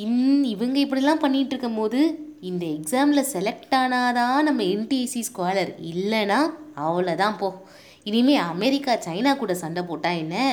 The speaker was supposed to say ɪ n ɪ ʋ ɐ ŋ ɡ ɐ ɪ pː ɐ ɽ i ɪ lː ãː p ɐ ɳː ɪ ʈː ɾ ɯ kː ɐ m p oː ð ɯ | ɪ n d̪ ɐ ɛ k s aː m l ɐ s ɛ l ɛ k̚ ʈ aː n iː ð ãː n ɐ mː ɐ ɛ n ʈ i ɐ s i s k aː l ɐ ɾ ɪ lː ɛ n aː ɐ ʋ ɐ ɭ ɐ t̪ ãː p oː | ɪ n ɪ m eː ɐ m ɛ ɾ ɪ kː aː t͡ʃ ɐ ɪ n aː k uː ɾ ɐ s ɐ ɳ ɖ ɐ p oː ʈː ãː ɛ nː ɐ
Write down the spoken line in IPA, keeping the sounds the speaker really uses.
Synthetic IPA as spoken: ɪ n ɪ ʋ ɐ ŋ ɡ ɐ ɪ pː ɐ ɽ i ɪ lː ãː p ɐ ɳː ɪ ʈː ɾ ɯ kː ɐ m p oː ð ɯ | ɪ n d̪ ɐ ɛ k s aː m l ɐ s ɛ l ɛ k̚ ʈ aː n aː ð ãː n ɐ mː ɐ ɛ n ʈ i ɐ s i s k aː l ɐ ɾ ɪ lː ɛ n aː ɐ ʋ ɐ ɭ ɐ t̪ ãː p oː | ɪ n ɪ m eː ɐ m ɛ ɾ ɪ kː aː t͡ʃ ɐ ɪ n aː k uː ɽ ɐ s ɐ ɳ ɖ ɐ p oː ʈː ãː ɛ nː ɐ